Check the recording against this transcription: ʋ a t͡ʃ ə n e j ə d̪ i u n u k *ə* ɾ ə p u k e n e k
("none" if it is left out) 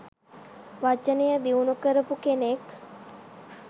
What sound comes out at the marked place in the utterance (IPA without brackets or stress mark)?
ə